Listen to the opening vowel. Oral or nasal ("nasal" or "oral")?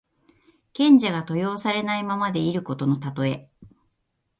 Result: nasal